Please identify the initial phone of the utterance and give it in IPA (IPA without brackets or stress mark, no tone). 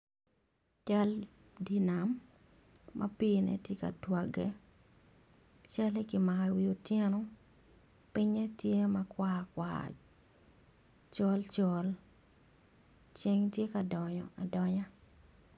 t͡ʃ